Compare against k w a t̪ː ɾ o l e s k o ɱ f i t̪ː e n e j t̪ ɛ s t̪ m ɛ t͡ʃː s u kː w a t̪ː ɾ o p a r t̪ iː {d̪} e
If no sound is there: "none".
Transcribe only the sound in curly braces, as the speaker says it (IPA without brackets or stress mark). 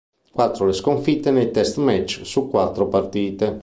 t̪